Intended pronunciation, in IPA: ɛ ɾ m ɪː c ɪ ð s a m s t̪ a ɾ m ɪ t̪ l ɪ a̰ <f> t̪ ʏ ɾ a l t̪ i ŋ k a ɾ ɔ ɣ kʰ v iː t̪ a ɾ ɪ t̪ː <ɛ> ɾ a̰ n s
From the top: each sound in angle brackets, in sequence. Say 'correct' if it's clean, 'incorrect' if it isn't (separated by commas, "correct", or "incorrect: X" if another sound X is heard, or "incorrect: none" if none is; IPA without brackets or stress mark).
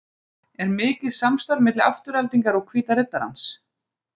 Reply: correct, incorrect: a